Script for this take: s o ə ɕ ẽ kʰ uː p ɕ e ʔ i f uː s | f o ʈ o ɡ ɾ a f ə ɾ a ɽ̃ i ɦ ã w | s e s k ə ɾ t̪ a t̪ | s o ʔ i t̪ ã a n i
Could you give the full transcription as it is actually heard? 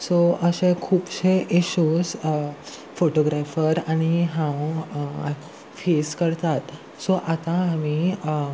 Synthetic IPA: s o ə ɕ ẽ kʰ uː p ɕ e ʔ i ɕ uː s | f o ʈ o ɡ ɾ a f ə ɾ a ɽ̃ i ɦ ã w | f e s k ə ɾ t̪ a t̪ | s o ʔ a t̪ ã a m i